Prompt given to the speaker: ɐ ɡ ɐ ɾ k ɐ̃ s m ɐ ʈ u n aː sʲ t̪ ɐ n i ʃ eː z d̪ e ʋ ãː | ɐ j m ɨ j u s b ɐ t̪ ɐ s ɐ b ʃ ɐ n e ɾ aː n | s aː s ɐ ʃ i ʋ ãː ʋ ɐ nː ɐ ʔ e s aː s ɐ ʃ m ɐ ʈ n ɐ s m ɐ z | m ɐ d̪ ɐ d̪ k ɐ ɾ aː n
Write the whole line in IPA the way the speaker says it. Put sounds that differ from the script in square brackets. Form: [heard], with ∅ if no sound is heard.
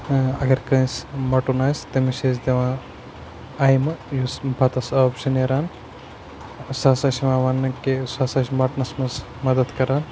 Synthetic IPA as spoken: ɐ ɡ ɐ ɾ k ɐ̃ s m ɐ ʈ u n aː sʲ t̪ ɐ [m] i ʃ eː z d̪ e ʋ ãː | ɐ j m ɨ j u s b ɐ t̪ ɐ s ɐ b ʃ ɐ n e ɾ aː n | s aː s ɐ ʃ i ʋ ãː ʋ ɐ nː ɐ [k] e s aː s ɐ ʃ m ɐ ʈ n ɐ s m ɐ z | m ɐ d̪ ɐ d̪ k ɐ ɾ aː n